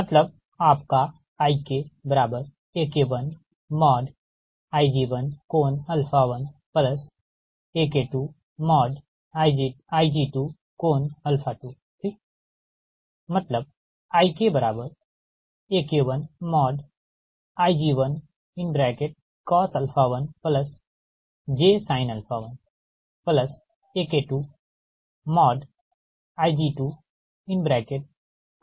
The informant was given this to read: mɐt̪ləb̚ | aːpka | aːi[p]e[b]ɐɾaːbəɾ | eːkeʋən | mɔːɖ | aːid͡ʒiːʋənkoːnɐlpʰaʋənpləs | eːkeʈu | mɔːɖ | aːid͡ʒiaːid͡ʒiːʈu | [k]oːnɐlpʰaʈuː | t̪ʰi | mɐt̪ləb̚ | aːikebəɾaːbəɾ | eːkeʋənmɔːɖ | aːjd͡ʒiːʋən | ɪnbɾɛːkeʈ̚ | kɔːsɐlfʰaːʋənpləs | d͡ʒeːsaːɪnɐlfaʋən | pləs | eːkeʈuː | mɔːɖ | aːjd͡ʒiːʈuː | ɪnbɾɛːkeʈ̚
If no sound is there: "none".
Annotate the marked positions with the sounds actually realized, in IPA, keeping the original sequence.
k, b, k

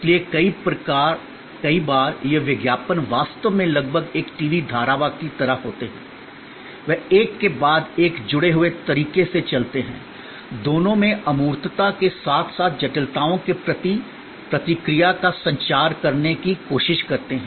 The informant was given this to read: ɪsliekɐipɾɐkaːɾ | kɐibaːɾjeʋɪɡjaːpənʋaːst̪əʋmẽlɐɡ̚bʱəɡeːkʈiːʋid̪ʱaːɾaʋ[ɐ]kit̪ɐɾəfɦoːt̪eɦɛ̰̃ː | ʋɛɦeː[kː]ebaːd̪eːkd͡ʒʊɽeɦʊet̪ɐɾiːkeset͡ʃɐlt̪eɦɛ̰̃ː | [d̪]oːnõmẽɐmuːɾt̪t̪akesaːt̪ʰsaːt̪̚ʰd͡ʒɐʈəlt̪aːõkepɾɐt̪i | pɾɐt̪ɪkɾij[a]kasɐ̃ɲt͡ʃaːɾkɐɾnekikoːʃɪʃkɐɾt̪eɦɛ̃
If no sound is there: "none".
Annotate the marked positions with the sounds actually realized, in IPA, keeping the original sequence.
a, kː, d̪, a

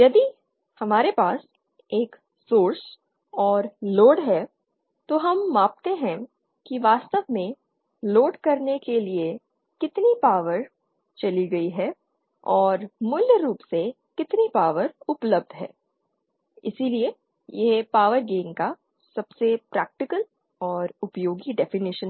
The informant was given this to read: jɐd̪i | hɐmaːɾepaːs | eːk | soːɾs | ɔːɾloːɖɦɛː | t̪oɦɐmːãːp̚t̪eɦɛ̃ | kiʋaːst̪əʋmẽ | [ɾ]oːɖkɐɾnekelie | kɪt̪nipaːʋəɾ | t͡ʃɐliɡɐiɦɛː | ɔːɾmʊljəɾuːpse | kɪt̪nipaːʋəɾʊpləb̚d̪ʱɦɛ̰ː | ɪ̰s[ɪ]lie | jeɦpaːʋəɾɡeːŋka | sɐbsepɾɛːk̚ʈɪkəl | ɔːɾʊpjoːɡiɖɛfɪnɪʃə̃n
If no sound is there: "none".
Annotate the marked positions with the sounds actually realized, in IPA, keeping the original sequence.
l, i

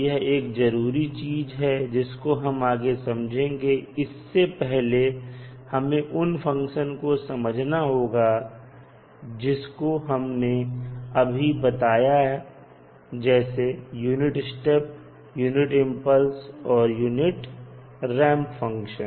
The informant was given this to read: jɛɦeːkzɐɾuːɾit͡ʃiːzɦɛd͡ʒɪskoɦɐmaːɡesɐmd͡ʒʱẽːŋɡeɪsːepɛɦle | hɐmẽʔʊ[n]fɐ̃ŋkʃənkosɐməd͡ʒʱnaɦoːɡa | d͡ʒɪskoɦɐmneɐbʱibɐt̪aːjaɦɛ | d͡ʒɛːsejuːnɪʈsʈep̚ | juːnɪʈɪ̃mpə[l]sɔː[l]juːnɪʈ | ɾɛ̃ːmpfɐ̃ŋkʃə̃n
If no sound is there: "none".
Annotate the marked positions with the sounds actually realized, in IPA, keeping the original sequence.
n, l, ɾ

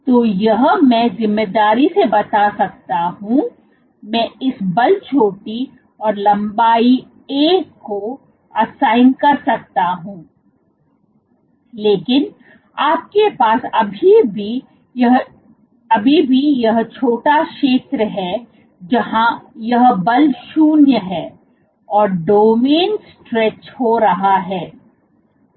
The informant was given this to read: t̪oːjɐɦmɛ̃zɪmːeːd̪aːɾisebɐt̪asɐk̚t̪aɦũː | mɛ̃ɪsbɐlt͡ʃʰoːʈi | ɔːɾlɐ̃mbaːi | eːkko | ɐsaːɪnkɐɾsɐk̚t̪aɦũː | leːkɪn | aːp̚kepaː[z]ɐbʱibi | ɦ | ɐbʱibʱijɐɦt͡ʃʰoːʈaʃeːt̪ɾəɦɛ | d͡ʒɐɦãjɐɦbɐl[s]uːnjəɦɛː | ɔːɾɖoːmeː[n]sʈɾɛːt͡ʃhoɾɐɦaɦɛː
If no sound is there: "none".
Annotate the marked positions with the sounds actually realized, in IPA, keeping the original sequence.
s, ʃ, n

